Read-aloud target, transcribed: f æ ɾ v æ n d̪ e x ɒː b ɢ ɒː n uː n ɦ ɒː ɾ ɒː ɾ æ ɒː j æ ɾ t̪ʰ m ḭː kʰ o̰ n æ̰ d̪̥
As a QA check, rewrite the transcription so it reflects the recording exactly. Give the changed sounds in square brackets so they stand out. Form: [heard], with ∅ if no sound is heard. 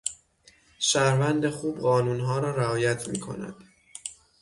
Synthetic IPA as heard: [ʃ] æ ɾ v æ n d̪ e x [uː] b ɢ ɒː n uː n ɦ ɒː ɾ ɒː ɾ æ ɒː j æ [∅] t̪ʰ m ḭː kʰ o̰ n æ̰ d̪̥